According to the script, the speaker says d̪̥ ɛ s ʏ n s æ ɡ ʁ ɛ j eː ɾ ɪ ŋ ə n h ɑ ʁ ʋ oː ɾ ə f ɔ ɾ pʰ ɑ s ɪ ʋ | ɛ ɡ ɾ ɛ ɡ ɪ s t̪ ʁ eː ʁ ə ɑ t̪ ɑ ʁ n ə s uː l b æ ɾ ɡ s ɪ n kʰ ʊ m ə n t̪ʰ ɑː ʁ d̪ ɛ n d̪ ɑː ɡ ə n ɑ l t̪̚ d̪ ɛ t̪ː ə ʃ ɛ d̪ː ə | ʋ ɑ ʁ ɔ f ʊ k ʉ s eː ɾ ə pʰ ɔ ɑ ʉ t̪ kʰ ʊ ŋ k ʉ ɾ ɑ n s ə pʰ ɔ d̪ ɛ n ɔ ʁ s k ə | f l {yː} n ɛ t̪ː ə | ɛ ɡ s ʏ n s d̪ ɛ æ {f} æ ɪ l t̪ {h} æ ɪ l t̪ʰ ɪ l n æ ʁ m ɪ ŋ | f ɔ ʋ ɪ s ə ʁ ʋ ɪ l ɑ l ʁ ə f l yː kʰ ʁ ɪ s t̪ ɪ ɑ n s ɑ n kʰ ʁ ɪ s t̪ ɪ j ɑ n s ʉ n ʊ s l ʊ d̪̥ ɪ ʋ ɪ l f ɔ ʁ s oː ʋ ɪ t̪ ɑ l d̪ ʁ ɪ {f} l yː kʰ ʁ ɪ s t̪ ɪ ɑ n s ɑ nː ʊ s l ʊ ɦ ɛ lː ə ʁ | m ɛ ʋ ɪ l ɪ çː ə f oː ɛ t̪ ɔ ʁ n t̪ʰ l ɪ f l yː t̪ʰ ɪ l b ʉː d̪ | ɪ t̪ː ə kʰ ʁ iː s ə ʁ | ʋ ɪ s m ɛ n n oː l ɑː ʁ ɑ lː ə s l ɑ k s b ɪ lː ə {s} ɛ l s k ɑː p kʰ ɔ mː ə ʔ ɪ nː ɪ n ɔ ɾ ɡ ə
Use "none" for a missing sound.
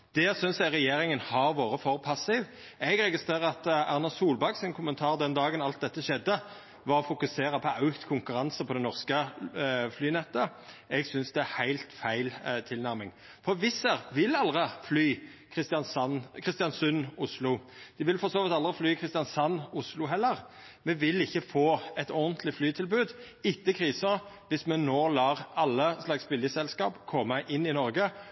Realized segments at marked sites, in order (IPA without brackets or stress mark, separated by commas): yː, h, f, f, s